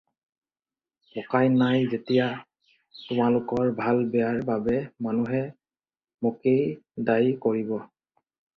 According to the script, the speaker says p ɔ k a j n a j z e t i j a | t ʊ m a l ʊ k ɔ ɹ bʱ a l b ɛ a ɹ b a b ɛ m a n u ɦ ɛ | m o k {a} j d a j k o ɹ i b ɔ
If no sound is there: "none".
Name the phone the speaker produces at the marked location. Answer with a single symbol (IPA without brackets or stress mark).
e